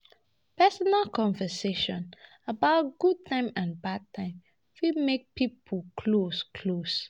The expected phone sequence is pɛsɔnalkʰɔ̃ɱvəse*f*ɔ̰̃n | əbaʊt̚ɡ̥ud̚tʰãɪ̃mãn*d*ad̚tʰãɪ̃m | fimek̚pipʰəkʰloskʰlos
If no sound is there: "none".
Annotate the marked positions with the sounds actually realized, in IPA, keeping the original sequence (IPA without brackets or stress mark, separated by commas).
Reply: ʃ, b